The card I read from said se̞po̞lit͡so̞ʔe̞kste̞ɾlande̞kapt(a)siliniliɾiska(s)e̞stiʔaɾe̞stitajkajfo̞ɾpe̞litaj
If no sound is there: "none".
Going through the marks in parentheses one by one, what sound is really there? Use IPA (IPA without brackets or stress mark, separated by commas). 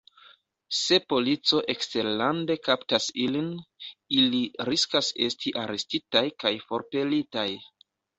a, s